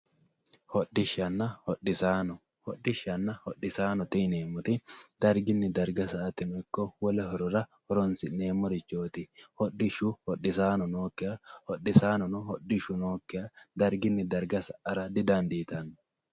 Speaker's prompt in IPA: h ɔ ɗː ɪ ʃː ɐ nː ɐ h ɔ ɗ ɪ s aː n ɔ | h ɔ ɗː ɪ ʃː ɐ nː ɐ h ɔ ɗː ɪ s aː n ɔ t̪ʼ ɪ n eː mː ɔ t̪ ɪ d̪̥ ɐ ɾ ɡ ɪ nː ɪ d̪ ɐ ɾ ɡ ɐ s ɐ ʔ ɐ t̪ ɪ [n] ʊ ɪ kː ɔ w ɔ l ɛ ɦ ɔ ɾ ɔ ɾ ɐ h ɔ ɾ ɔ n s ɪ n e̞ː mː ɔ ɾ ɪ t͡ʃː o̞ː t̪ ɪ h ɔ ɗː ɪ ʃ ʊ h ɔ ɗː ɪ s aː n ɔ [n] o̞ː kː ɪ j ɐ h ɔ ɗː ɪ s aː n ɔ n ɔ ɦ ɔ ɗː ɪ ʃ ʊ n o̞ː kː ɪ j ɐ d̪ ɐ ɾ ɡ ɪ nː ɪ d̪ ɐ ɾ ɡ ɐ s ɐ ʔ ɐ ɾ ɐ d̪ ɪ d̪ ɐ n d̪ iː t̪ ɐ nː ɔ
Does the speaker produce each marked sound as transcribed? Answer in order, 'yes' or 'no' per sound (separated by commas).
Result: yes, yes